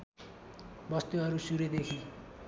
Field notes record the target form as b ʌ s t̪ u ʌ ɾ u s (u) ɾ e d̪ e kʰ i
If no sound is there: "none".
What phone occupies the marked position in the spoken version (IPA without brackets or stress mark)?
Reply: u